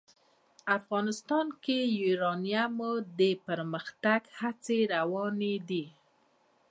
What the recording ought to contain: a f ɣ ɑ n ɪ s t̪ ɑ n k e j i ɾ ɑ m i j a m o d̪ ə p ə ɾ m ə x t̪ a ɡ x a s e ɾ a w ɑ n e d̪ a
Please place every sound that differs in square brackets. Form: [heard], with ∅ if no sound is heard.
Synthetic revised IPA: a f ɣ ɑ n ɪ s t̪ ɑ n k e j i ɾ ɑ [n] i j a m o d̪ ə p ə ɾ m ə x t̪ a ɡ [h] a [t͡s] e ɾ a w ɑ n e d̪ [i]

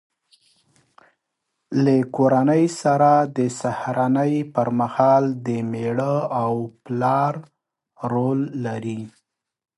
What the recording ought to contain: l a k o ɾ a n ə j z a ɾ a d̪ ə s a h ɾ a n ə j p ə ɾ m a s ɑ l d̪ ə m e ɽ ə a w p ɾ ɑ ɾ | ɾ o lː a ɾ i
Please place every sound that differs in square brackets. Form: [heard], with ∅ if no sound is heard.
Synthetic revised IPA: l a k o ɾ a n ə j [s] a ɾ a d̪ ə s a h ɾ a n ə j p ə ɾ m a [h] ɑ l d̪ ə m e ɽ ə a w p [l] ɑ ɾ | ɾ o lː a ɾ i

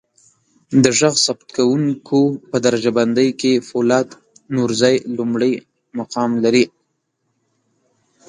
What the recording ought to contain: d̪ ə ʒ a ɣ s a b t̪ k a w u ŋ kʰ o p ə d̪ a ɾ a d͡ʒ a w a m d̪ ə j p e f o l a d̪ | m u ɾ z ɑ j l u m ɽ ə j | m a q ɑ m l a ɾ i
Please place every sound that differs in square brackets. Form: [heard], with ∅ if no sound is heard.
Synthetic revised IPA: d̪ ə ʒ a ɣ s a b t̪ k a w u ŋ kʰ o p ə d̪ a ɾ a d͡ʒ a [b] a [n] d̪ ə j [k] e f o l [ɑ] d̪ | [n] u ɾ z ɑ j l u m ɽ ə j | m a q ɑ m l a ɾ i

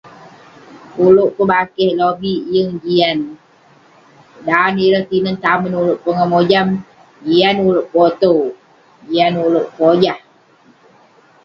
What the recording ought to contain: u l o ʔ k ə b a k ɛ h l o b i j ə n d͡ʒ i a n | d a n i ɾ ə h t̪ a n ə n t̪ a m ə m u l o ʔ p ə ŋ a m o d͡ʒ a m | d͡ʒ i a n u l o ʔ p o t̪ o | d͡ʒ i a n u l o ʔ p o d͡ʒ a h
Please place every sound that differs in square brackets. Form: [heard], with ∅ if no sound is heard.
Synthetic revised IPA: u l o ʔ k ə b a k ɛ h l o b i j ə [ŋ] d͡ʒ i a n | d a n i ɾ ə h t̪ [i] n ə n t̪ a m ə [n] u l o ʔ p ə ŋ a m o d͡ʒ a m | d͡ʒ i a n u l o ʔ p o t̪ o | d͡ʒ i a n u l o ʔ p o d͡ʒ a h

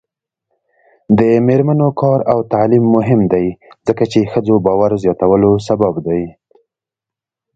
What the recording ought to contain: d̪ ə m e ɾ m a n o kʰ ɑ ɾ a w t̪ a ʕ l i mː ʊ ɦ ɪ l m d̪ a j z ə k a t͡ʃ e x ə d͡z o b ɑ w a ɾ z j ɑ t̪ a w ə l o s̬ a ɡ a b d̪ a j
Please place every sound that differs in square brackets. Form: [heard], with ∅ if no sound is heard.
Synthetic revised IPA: d̪ ə m e ɾ m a n o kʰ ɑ ɾ a w t̪ a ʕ l i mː ʊ ɦ ɪ [∅] m d̪ a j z ə k a t͡ʃ e x ə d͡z o b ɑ w a ɾ z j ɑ t̪ a w ə l o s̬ a [b] a b d̪ a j

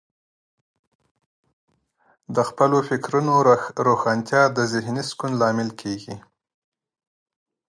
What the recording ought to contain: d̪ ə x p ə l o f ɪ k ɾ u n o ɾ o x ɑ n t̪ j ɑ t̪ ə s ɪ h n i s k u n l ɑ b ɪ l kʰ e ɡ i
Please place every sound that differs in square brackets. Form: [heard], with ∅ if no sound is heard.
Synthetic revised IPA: d̪ ə x p ə l o f ɪ k ɾ u n o ɾ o x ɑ n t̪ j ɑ [d̪] ə [z] ɪ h n i s k u n l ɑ [m] ɪ l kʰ e ɡ i

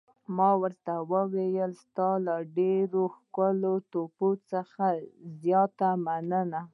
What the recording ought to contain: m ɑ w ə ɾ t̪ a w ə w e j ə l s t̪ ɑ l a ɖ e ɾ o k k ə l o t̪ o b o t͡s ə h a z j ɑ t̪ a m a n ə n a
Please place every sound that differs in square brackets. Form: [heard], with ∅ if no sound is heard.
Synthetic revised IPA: m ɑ w ə ɾ t̪ a w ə w e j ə l s t̪ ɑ l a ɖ e ɾ o [x] k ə l o t̪ o [p] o t͡s ə [x] a z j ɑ t̪ a m a n ə n a

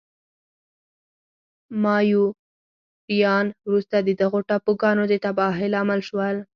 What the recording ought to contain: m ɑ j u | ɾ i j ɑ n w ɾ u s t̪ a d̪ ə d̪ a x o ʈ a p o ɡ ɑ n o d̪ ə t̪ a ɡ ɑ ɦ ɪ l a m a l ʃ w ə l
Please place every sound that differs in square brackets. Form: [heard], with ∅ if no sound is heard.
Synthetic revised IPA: m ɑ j u | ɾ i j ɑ n w ɾ u s t̪ a d̪ ə d̪ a [ɣ] o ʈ a p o ɡ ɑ n o d̪ ə t̪ a [b] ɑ ɦ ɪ l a m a l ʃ w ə l

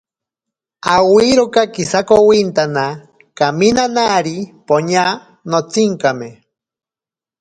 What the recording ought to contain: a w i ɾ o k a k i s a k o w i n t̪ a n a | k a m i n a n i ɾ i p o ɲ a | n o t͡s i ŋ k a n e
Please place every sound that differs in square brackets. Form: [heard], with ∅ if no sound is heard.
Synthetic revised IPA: a w i ɾ o k a k i s a k o w i n t̪ a n a | k a m i n a n [a] ɾ i p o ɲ a | n o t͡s i ŋ k a [m] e

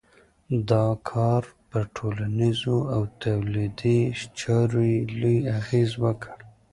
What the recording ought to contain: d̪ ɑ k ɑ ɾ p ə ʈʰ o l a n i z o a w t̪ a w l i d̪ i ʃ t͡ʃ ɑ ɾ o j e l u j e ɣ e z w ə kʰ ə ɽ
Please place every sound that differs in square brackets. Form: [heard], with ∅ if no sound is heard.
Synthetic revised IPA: d̪ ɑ [kʰ] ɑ ɾ p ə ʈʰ o l a n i z o a w t̪ a w l i d̪ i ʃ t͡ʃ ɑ ɾ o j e l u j [a] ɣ e z w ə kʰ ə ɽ

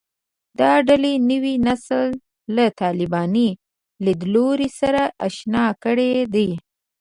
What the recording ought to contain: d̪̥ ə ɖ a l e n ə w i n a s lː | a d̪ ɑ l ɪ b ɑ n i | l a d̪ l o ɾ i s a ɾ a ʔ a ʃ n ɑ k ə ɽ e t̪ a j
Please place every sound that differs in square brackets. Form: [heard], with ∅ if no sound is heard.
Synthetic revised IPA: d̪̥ [ɑ] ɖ a l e n ə w i n a s lː | a [t̪] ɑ l ɪ b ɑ n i | l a d̪ l o ɾ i s a ɾ a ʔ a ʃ n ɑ k ə ɽ e [d̪] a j

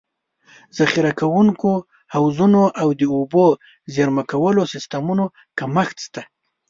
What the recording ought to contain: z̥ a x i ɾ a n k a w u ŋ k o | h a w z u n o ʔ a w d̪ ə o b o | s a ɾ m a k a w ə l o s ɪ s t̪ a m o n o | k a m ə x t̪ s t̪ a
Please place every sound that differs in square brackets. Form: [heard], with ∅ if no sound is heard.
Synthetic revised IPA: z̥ a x i ɾ a [∅] k a w u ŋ k o | h a w z u n o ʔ a w d̪ ə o b o | [z] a ɾ m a k a w ə l o s ɪ s t̪ a m [u] n o | k a m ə x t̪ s t̪ a

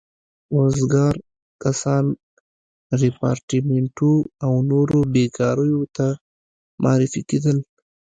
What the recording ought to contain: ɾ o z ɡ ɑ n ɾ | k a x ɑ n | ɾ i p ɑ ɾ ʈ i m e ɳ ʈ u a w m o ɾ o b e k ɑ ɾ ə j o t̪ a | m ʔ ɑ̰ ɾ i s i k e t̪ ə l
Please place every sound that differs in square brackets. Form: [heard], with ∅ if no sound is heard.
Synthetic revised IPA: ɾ o z ɡ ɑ [∅] ɾ | k a [s] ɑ n | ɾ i p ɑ ɾ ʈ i m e ɳ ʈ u a w [n] o ɾ o b e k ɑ ɾ ə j o t̪ a | m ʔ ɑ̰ ɾ i [f] i k e [d̪] ə l

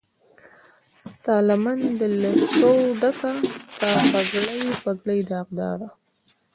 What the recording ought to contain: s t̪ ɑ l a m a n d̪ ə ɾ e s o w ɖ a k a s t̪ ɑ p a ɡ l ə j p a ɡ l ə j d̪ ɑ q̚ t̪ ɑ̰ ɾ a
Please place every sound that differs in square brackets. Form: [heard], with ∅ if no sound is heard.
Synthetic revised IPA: s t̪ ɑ l a m a n d̪ ə [l] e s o w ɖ a k a s t̪ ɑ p a ɡ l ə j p a ɡ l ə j d̪ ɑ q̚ [d̪] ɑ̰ ɾ a

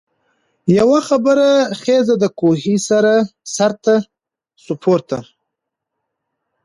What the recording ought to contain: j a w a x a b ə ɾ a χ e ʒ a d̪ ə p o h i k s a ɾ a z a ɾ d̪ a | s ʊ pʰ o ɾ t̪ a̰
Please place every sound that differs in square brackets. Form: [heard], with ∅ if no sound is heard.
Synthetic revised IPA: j a w a x a b ə ɾ a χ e [z] a d̪ ə [k] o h i [∅] s a ɾ a [s] a ɾ [t̪] a | s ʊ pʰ o ɾ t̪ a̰

